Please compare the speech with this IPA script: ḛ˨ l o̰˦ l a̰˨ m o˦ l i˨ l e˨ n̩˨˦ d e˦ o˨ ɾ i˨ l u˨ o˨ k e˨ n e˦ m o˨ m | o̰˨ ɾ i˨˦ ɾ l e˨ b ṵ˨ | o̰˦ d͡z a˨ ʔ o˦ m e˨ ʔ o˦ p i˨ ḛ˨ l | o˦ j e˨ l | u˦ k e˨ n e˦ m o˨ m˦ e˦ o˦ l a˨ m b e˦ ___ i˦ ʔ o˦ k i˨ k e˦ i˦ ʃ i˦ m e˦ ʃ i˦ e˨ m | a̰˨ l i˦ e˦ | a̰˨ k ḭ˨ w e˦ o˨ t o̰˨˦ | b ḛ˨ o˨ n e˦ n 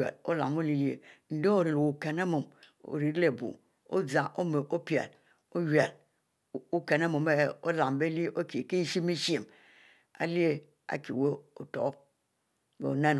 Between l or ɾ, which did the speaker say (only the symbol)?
l